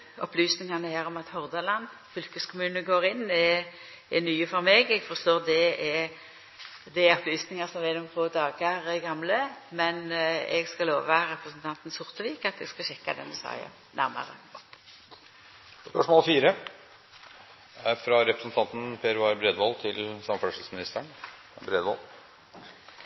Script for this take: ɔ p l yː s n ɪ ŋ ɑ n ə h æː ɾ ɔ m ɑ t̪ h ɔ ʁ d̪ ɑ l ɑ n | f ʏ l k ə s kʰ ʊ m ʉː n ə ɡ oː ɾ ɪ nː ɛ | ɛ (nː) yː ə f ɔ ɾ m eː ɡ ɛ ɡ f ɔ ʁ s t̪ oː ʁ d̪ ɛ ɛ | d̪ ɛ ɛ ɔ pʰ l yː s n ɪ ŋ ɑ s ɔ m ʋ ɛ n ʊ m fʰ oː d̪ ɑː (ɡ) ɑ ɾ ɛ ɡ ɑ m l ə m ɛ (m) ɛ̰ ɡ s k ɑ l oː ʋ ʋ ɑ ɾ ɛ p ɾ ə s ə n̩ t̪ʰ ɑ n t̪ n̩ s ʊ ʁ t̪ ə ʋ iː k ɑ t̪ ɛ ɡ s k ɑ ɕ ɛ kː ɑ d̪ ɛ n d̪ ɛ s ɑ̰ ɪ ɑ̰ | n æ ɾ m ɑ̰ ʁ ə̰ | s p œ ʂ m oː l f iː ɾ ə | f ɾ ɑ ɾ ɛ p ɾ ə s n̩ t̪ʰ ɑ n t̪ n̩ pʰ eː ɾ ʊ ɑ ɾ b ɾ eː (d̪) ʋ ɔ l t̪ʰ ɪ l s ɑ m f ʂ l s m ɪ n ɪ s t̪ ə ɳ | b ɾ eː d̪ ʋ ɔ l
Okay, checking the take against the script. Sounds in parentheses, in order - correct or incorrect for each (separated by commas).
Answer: incorrect, correct, incorrect, correct